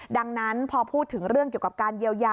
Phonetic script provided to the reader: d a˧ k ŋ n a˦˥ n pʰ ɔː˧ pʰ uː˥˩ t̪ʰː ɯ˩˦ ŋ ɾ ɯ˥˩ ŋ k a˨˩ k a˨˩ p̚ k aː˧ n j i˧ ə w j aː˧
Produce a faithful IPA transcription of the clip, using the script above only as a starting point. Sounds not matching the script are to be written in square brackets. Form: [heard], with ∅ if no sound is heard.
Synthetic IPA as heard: d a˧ [∅] ŋ n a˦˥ n pʰ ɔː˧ pʰ uː˥˩ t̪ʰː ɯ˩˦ ŋ ɾ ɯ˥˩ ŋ k [i˨˩] k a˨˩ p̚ k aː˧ n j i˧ ə w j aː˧